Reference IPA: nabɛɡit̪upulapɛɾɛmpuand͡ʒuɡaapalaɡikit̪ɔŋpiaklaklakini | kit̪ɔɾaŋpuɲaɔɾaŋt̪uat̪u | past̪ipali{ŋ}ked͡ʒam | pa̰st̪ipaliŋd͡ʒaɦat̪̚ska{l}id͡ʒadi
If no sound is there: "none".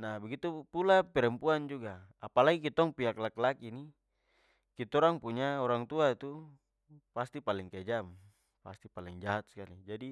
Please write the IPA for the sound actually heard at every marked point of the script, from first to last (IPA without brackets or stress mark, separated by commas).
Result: ŋ, l